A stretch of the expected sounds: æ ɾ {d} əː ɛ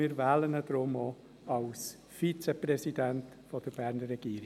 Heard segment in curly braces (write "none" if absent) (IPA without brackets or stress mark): n